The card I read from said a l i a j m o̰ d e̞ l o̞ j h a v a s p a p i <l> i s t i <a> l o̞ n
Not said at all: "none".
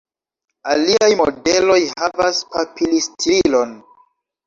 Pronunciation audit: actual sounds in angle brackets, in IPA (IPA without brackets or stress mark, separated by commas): l, i